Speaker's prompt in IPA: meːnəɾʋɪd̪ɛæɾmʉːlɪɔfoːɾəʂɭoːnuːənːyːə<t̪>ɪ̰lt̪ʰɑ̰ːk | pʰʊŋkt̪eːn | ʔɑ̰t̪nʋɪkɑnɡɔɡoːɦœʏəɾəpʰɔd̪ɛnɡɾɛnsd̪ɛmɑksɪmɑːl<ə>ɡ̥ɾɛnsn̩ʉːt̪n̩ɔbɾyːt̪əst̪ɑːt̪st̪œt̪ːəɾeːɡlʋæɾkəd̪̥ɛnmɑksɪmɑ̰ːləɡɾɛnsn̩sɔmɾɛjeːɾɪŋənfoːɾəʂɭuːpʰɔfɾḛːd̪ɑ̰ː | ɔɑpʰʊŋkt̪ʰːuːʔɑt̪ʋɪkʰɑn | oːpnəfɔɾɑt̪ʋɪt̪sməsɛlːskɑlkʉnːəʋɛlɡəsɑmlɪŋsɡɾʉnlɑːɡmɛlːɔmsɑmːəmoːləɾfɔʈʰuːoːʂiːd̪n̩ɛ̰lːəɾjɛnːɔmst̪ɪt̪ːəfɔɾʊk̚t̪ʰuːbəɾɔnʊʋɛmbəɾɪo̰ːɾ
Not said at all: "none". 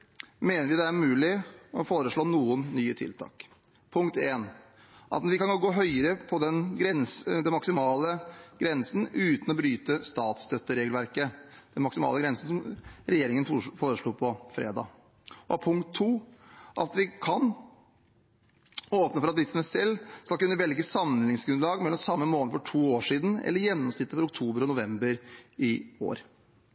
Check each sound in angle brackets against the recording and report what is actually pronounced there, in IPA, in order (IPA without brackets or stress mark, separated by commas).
t̪ʰ, ə